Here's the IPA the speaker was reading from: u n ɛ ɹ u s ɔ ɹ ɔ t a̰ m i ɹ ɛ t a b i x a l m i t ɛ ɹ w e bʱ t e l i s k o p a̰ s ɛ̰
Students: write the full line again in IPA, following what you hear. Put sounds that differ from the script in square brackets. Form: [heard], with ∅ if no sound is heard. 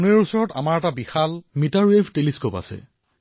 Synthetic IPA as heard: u n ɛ ɹ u s ɔ ɹ ɔ t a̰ m [a] ɹ ɛ t a b i x a l m i t [a] ɹ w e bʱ t e l i s k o p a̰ s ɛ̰